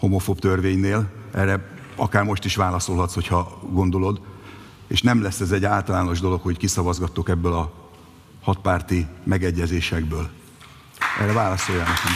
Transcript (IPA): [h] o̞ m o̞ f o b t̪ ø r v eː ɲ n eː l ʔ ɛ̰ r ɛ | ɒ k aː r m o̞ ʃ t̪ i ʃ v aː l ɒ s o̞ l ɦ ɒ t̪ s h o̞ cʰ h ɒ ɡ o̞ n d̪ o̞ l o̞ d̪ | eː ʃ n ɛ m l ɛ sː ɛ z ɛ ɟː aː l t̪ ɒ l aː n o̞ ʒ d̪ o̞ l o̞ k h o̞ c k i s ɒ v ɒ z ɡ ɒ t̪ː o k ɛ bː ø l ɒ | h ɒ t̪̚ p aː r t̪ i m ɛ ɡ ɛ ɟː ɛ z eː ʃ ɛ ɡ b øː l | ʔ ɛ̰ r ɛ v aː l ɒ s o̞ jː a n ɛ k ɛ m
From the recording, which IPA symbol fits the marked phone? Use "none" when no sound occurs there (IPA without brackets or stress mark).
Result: h